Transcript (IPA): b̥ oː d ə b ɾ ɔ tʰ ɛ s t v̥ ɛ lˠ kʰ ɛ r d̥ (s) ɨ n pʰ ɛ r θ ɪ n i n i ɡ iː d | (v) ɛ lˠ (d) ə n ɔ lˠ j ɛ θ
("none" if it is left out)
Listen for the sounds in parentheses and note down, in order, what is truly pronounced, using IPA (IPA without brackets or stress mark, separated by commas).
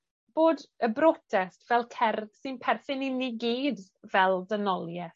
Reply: s, v, d